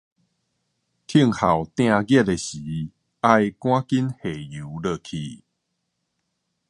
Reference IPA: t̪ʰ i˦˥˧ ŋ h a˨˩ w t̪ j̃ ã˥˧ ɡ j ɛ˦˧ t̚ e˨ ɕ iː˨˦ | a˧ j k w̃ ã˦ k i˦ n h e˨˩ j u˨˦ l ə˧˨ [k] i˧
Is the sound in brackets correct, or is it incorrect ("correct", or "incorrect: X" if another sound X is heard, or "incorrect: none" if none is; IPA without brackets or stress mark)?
incorrect: kʰ